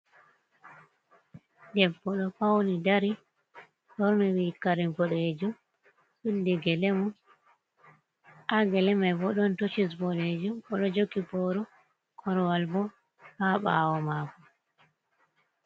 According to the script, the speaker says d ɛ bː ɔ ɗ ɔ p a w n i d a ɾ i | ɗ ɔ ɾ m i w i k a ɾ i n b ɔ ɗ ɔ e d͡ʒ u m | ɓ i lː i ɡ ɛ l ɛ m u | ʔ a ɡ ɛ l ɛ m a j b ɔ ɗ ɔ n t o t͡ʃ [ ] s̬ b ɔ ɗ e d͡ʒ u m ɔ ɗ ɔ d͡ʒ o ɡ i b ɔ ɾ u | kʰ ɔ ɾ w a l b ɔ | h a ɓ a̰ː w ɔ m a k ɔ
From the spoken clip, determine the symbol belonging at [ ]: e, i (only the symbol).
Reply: i